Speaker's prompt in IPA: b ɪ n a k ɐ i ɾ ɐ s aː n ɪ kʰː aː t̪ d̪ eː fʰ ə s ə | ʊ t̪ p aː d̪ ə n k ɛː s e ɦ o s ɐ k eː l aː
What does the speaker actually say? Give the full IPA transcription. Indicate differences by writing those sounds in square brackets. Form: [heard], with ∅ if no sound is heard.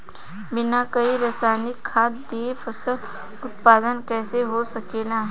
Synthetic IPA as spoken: b ɪ n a k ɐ i ɾ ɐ s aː n ɪ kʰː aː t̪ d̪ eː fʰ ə s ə | ʊ t̪ p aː d̪ ə n k ɛː s e ɦ o s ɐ k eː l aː